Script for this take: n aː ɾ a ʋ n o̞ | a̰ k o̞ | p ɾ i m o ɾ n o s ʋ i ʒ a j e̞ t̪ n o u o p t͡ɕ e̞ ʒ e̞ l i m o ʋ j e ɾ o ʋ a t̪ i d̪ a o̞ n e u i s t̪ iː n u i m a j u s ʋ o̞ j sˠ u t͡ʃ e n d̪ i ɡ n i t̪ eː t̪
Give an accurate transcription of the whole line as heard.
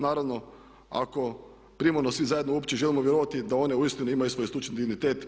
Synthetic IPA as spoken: n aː ɾ a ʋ n o̞ | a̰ k o̞ | p ɾ i m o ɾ n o s ʋ i z a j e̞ d̪ n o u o p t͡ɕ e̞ ʒ e̞ l i m o ʋ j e ɾ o ʋ a t̪ i d̪ a o̞ n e u i s t̪ i n u i m a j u s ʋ o̞ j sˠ u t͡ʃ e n d̪ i ɡ n i t̪ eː t̪